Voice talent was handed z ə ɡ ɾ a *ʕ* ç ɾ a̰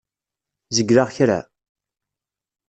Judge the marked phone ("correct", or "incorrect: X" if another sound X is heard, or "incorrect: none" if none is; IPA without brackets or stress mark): incorrect: ʁ